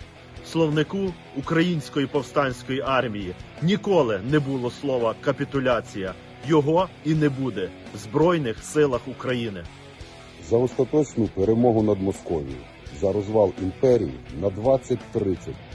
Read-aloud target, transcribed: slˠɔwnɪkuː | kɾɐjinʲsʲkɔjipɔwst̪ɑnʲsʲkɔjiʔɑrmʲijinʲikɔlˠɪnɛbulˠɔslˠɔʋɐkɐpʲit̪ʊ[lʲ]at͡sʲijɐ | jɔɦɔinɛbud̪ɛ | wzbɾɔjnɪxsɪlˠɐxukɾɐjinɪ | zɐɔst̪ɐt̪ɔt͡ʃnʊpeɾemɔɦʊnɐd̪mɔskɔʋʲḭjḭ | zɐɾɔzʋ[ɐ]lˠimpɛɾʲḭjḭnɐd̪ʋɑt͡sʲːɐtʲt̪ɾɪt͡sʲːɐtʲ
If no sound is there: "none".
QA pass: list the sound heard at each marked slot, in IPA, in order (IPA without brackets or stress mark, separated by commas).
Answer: lʲ, ɑ